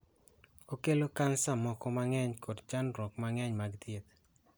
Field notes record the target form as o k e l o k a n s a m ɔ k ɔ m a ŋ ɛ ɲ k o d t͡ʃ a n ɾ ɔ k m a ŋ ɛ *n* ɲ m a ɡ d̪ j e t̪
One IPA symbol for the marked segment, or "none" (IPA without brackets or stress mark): none